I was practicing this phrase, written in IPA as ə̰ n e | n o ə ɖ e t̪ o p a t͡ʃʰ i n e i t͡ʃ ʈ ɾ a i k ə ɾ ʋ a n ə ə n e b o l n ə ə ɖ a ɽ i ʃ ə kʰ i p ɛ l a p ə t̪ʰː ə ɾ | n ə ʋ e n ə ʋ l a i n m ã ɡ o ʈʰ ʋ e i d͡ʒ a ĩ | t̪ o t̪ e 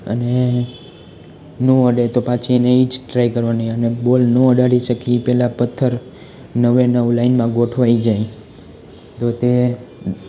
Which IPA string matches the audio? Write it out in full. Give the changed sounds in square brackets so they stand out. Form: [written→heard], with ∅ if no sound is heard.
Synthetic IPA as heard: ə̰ n e | n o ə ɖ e t̪ o p a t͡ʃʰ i n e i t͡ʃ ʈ ɾ a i k ə ɾ ʋ a n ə ə n e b o l n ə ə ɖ a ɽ i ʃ ə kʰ i p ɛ l a p ə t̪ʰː ə ɾ | n ə ʋ e n ə ʋ l a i n m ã ɡ o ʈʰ ʋ [e→a] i d͡ʒ a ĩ | t̪ o t̪ e